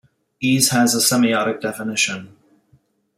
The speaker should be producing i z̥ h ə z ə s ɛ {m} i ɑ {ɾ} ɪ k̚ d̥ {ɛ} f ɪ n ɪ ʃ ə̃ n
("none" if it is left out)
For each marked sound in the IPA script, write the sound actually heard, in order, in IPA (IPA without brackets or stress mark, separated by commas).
m, ɾ, ɛ